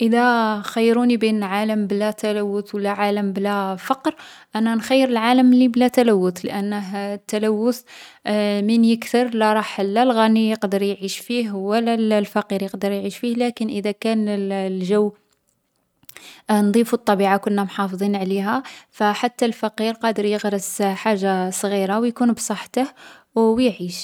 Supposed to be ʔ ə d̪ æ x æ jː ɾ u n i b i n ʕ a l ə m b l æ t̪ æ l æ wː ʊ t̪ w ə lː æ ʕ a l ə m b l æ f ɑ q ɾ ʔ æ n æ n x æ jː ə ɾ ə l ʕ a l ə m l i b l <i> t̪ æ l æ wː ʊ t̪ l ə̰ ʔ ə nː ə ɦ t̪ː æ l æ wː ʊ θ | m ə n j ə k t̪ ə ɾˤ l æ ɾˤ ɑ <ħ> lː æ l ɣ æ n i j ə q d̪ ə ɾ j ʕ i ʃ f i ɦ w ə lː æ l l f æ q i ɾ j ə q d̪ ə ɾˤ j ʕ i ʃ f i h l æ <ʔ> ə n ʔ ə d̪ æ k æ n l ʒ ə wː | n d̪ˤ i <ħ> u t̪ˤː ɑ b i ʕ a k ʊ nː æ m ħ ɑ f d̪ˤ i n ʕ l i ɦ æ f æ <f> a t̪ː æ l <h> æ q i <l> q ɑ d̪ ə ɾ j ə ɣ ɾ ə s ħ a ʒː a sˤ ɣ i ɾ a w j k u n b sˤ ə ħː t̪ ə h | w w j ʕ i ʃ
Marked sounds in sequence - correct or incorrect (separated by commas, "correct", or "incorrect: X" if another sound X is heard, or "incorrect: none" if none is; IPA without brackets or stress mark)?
incorrect: æ, correct, incorrect: k, incorrect: f, incorrect: ħ, incorrect: f, incorrect: ɾ